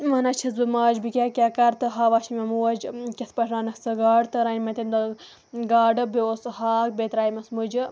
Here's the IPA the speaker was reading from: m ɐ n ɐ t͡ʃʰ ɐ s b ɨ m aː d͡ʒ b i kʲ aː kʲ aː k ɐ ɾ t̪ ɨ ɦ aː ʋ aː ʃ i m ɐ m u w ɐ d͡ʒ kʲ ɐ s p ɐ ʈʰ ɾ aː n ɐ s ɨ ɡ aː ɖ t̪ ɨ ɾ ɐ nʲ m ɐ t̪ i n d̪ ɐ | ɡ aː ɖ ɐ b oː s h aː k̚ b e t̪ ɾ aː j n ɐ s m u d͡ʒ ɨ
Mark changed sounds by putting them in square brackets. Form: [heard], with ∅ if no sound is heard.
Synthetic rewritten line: m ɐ n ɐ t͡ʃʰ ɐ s b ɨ m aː d͡ʒ b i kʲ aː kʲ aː k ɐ ɾ t̪ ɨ ɦ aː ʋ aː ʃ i m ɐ m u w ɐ d͡ʒ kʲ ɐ s p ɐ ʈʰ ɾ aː n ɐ s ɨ ɡ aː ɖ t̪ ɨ ɾ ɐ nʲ m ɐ t̪ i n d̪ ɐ | ɡ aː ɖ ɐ b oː s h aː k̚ b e t̪ ɾ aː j [m] ɐ s m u d͡ʒ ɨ